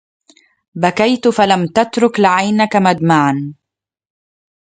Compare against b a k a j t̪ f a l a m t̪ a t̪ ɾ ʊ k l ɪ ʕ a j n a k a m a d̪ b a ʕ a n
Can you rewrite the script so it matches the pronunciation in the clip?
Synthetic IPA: b a k a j t̪ f a l a m t̪ a t̪ ɾ ʊ k l ɪ ʕ a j n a k a m a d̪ m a ʕ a n